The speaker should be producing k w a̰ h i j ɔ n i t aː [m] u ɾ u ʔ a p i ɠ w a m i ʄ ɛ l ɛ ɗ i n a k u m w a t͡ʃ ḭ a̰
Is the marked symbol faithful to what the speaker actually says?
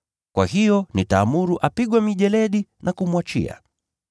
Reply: yes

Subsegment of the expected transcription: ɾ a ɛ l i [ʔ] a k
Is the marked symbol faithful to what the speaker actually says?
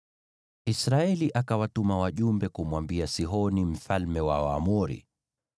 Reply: yes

